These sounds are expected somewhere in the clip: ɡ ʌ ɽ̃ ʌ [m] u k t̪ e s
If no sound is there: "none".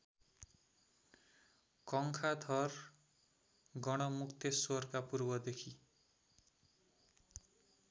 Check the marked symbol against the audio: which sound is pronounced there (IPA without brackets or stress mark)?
m